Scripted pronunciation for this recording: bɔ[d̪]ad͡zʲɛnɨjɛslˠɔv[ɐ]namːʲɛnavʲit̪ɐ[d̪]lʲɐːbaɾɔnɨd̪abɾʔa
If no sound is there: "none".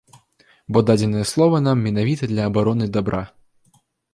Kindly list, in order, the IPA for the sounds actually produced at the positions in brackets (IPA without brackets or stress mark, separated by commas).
d̪, ɐ, d̪